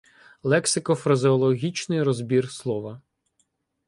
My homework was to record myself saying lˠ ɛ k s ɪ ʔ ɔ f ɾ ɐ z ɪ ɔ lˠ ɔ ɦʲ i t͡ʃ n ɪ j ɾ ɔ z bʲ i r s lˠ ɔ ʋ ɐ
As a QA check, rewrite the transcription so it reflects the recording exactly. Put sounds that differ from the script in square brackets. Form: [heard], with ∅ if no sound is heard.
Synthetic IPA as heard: lˠ ɛ k s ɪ [k] ɔ f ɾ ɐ z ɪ ɔ lˠ ɔ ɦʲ i t͡ʃ n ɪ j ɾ ɔ z bʲ i r s lˠ ɔ ʋ ɐ

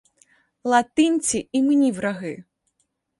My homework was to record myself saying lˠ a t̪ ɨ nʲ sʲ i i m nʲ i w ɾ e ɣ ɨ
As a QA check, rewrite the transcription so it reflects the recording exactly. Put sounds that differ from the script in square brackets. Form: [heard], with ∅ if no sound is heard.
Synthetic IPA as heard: lˠ a t̪ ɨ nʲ [t͡sʲ] i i m nʲ i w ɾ [a] ɣ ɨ

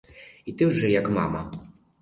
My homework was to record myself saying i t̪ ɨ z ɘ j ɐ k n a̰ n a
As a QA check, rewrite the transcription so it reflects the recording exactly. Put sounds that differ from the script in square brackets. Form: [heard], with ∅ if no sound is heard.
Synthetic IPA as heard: i t̪ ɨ [ʐ] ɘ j [a] k [m] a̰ [m] a

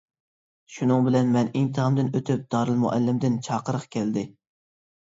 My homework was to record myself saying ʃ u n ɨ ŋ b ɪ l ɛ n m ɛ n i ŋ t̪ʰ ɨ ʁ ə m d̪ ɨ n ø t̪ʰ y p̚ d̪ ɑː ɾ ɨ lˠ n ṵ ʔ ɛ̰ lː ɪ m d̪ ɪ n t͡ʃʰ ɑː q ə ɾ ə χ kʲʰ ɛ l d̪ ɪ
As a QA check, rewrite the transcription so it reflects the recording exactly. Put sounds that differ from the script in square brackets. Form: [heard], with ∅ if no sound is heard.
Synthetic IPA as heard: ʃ u n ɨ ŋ b ɪ l ɛ n m ɛ n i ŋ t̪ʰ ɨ ʁ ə m d̪ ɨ n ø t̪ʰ y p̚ d̪ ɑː ɾ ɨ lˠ [m] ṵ ʔ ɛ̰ lː ɪ m d̪ ɪ n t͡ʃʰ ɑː q ə ɾ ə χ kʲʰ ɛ l d̪ ɪ

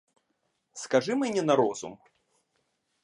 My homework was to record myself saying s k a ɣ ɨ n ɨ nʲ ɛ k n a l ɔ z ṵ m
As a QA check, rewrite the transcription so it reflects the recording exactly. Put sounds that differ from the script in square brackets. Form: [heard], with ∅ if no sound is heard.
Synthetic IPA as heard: s k a [ʐ] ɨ [m] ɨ nʲ ɛ [∅] n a [ɾ] ɔ z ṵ m

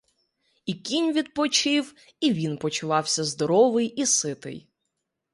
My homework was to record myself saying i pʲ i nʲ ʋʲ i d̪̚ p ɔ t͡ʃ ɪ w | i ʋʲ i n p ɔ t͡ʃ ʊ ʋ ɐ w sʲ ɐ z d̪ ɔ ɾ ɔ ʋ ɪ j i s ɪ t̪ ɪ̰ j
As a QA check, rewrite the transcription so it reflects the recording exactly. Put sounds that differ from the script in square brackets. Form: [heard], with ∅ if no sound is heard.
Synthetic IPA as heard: i [kʲ] i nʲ ʋʲ i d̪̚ p ɔ t͡ʃ ɪ w | i ʋʲ i n p ɔ t͡ʃ ʊ ʋ [ɑ] w sʲ ɐ z d̪ ɔ ɾ ɔ ʋ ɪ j i s ɪ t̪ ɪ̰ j

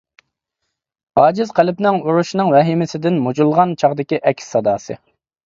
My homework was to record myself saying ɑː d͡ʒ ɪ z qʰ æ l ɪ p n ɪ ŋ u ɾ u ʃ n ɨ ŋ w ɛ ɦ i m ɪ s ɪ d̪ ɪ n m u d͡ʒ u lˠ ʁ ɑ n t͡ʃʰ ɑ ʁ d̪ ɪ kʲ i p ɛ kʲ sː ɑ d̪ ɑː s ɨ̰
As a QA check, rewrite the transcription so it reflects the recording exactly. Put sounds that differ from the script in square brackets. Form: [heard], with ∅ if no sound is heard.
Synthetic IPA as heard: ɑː d͡ʒ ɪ z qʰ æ l ɪ p n ɪ ŋ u ɾ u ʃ n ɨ ŋ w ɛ ɦ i m ɪ s ɪ d̪ ɪ n m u d͡ʒ u lˠ ʁ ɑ n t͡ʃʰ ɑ ʁ d̪ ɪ kʲ i [ʔ] ɛ kʲ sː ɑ d̪ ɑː s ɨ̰

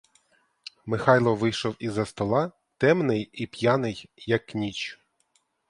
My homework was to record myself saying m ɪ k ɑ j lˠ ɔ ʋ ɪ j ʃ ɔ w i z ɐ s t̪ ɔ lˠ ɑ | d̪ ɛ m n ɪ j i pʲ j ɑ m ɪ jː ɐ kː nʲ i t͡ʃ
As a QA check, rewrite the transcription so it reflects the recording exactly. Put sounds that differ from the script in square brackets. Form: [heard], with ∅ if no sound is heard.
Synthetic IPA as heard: m ɪ [x] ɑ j lˠ ɔ ʋ ɪ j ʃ ɔ w i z ɐ s t̪ ɔ lˠ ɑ | [t̪] ɛ m n ɪ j i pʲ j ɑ [n] ɪ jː ɐ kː nʲ i t͡ʃ

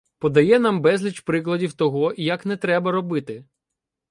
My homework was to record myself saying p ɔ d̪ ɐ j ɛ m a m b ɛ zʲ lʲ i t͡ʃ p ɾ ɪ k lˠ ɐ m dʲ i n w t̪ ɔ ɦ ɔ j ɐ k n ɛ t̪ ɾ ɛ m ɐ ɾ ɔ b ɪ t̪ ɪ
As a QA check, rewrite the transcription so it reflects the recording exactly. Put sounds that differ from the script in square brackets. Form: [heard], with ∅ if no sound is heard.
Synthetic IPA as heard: p ɔ d̪ ɐ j ɛ [n] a m b ɛ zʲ lʲ i t͡ʃ p ɾ ɪ k lˠ ɐ [∅] dʲ i [∅] w t̪ ɔ ɦ ɔ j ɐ k n ɛ t̪ ɾ ɛ [b] ɐ ɾ ɔ b ɪ t̪ ɪ

